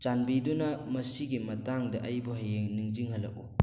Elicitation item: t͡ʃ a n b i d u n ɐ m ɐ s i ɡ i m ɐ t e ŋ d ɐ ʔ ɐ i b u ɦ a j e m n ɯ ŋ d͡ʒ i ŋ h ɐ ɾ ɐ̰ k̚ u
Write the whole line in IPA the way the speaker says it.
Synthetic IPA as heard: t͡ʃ a n b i d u n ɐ m ɐ s i ɡ i m ɐ t a ŋ d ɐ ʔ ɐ j b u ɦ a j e ŋ n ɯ ŋ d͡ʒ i ŋ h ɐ l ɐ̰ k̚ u